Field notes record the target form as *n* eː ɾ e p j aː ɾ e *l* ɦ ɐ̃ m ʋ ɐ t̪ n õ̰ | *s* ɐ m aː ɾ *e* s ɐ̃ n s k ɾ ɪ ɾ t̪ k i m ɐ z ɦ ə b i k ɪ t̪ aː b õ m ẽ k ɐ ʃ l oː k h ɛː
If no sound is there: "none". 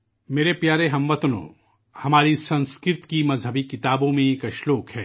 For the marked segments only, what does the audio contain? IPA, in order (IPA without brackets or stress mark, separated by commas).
m, none, h, i